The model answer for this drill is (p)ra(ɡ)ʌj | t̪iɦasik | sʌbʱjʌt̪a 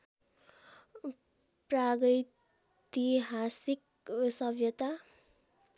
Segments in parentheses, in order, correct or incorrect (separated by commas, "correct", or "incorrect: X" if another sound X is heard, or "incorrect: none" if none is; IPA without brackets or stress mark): correct, correct